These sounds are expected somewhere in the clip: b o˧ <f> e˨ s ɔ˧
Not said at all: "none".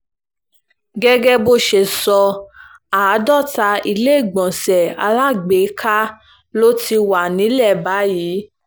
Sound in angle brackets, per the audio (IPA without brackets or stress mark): ʃ